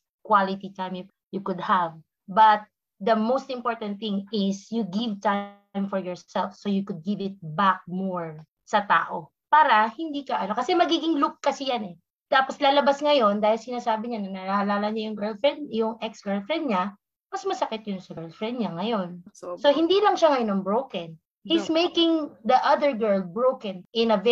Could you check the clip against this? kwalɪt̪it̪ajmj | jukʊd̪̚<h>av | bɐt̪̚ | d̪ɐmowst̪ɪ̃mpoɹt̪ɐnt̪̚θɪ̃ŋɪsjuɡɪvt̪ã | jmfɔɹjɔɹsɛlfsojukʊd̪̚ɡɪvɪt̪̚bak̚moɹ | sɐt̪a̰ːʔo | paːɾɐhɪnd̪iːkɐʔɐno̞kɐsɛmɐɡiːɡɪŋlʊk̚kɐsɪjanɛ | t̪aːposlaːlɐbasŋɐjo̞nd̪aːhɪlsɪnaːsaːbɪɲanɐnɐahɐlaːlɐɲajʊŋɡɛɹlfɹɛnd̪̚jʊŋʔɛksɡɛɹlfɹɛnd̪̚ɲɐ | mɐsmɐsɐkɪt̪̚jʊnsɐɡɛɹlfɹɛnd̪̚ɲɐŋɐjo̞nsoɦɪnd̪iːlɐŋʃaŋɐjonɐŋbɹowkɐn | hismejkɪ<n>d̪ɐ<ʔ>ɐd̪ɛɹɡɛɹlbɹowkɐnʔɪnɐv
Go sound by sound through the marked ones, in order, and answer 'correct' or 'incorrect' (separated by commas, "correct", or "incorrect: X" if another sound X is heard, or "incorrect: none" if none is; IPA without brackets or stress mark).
correct, incorrect: ŋ, correct